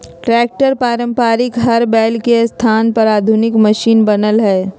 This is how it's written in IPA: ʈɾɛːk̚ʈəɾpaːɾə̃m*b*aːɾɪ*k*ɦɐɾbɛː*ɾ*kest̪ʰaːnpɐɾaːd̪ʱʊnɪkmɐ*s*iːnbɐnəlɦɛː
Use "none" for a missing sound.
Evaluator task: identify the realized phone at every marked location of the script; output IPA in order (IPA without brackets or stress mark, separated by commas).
p, k, l, ʃ